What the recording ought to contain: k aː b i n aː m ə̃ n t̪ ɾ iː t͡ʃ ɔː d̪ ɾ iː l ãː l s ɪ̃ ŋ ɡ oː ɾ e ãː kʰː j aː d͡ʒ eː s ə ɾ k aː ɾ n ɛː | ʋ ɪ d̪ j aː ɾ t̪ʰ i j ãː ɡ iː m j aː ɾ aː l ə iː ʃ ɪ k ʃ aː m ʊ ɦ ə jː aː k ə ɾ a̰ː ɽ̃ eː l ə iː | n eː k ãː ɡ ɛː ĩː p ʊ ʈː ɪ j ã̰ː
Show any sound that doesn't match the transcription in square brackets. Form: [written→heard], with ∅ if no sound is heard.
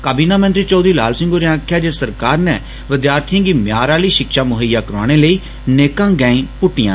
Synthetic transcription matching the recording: k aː b [i→iː] n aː m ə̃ n t̪ ɾ iː t͡ʃ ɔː d̪ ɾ iː l [ãː→aː] l s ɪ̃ ŋ ɡ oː ɾ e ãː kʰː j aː d͡ʒ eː s ə ɾ k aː ɾ n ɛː | ʋ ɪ d̪ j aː ɾ t̪ʰ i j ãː ɡ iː m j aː ɾ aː l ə iː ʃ ɪ k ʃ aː m ʊ ɦ ə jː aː k ə ɾ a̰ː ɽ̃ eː l ə iː | n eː k ãː ɡ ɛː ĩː p ʊ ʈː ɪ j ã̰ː